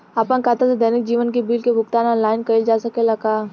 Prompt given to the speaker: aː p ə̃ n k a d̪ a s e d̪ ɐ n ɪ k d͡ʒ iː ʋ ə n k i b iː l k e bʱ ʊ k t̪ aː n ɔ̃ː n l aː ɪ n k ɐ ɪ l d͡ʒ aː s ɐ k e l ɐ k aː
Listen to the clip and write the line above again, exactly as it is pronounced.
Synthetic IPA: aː p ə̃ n k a t̪ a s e d̪ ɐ n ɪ k d͡ʒ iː ʋ ə n k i b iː l k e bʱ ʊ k t̪ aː n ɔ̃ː n l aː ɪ n k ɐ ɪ l d͡ʒ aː s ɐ k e l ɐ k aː